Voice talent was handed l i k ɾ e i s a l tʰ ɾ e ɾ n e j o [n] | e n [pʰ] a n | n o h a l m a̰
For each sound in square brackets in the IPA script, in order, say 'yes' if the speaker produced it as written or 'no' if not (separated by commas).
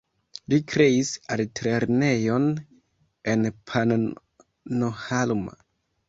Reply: yes, yes